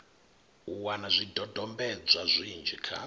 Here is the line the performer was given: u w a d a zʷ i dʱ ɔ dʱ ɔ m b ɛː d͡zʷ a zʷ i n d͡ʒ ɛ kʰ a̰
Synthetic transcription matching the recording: u w a n a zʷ i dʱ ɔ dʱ ɔ m b ɛ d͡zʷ a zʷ i n d͡ʒ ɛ kʰ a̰